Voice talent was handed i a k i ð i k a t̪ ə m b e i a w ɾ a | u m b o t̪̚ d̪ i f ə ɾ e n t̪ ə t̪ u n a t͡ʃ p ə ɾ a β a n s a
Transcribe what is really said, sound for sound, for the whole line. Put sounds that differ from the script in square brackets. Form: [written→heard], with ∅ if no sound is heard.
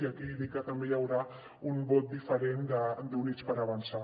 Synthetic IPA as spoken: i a k i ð i k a t̪ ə m b e [i→j] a w ɾ a | u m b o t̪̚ d̪ i f ə ɾ e n [t̪→d̪] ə [t̪→d̪] u n [a→i] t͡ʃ p ə ɾ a β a n s a